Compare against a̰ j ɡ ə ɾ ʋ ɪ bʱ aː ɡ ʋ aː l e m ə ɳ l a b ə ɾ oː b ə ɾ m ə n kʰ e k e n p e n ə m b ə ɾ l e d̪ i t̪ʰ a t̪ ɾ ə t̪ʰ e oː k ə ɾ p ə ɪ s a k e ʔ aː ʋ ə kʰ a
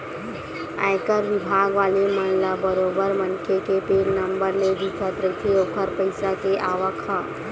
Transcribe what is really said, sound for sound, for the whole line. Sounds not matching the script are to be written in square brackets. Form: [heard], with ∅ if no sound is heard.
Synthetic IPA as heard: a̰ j [k] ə ɾ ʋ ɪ bʱ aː ɡ ʋ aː l e m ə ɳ l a b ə ɾ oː b ə ɾ m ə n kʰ e k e [∅] p e n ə m b ə ɾ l e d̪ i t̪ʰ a t̪ ɾ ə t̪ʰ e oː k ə ɾ p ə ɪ s a k e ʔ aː ʋ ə kʰ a